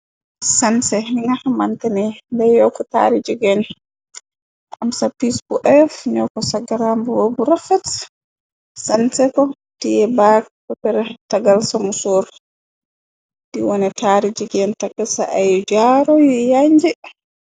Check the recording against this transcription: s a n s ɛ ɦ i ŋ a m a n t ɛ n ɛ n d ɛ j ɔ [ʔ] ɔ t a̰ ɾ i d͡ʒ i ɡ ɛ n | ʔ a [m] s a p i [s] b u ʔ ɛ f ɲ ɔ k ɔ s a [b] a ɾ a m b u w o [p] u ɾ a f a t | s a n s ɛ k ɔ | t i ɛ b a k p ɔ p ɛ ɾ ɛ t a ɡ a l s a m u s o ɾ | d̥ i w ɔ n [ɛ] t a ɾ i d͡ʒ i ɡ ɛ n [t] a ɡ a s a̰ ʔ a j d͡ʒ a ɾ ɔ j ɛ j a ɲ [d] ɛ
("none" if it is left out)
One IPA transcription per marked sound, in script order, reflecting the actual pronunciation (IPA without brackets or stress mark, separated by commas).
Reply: k, m, s, ɡ, b, ɛ, t, d͡ʒ